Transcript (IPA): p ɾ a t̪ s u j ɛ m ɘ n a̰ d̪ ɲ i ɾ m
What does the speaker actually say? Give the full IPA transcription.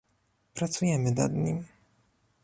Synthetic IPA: p ɾ a t̪ s u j ɛ m ɘ n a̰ d̪ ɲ i m